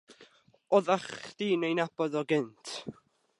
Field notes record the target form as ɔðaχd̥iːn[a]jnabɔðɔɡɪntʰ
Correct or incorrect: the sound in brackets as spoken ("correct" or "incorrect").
incorrect